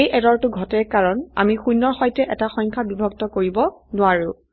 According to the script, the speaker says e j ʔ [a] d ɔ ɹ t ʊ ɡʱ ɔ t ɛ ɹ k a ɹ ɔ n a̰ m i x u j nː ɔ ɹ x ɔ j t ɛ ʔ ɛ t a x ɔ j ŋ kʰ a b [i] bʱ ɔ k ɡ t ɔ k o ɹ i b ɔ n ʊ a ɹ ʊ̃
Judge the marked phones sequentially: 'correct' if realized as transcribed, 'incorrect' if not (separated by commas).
incorrect, correct